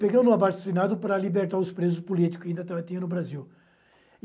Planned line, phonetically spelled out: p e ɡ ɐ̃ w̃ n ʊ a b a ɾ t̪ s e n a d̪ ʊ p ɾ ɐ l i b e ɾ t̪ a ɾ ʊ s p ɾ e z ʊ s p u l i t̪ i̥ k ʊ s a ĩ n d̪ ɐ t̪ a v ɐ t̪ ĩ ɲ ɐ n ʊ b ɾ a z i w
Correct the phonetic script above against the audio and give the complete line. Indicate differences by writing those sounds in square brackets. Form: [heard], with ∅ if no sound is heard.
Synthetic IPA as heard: p e ɡ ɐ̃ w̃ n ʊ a b a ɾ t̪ s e n a d̪ ʊ p ɾ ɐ l i b e ɾ t̪ a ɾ ʊ s p ɾ e z ʊ s p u l i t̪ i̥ k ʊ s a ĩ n d̪ ɐ t̪ a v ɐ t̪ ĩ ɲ ɐ n ʊ b ɾ a z i w